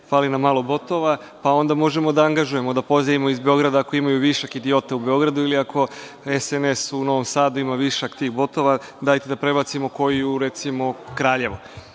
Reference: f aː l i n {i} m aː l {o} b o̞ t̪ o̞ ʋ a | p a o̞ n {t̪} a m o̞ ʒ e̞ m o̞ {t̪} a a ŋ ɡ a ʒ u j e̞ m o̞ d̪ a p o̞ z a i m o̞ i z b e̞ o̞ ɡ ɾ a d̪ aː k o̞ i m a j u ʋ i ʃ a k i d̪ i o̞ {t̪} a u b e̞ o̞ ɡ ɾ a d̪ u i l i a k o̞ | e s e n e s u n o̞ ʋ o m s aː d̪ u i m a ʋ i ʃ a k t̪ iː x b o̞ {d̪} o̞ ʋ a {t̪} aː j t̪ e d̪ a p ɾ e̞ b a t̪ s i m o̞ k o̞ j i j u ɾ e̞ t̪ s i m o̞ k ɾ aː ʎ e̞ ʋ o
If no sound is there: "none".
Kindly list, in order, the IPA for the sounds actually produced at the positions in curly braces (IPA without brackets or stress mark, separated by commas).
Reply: a, o, d̪, d̪, t̪, t̪, d̪